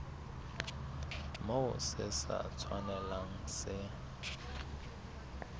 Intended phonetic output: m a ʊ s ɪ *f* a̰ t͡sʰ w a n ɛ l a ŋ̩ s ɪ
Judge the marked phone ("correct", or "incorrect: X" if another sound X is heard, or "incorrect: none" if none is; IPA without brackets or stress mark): incorrect: s